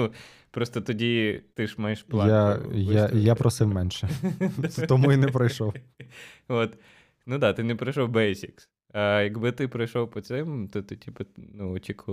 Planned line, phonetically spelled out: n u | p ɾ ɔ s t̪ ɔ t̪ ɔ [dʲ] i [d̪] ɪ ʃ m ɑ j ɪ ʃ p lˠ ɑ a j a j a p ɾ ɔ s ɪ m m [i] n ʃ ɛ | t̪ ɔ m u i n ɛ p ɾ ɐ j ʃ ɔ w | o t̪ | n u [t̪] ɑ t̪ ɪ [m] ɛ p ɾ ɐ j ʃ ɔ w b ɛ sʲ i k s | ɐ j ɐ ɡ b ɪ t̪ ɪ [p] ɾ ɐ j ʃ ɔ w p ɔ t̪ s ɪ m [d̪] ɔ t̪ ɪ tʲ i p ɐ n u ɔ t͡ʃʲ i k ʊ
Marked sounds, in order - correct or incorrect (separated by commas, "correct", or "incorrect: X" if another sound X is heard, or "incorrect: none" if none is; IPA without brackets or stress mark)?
correct, incorrect: t̪, incorrect: ɛ, incorrect: d̪, incorrect: n, correct, incorrect: t̪